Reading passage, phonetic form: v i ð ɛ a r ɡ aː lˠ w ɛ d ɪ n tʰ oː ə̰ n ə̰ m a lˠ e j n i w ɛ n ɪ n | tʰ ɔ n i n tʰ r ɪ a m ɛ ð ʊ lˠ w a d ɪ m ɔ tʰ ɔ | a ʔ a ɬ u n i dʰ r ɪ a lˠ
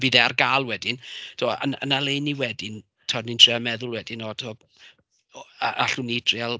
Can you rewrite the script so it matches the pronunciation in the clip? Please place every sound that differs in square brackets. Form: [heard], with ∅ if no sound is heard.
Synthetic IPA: v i ð ɛ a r ɡ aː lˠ w ɛ d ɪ n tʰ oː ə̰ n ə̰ [n] a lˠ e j n i w ɛ [d] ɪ n | tʰ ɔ n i n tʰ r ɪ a m ɛ ð ʊ lˠ w [ɛ] d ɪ [n] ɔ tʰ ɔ | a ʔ a ɬ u n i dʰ r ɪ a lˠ